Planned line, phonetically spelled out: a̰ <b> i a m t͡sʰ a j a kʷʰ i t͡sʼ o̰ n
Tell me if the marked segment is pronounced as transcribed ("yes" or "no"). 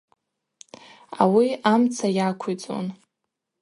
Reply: no